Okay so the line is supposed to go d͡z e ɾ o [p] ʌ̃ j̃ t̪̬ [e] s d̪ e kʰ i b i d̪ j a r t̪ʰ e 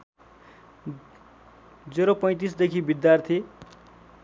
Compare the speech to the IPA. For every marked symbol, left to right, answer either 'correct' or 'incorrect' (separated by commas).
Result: correct, incorrect